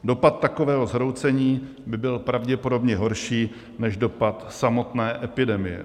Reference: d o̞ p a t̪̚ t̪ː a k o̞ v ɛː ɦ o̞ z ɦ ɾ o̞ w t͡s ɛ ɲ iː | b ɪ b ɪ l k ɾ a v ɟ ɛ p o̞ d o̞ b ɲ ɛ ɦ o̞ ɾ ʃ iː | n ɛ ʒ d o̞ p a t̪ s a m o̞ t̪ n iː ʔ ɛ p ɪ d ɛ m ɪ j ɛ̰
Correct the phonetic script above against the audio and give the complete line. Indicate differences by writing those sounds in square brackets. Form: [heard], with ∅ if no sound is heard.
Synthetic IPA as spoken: d o̞ p a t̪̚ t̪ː a k o̞ v ɛː ɦ o̞ z ɦ ɾ o̞ w t͡s ɛ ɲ iː | b ɪ b ɪ l [p] ɾ a v ɟ ɛ p o̞ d o̞ b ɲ ɛ ɦ o̞ ɾ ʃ iː | n ɛ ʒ d o̞ p a t̪ s a m o̞ t̪ n [ɛː] ʔ ɛ p ɪ d ɛ m ɪ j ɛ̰